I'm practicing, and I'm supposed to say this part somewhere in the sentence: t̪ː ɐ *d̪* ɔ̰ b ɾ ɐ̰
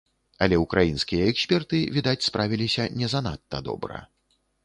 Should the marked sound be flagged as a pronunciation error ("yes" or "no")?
no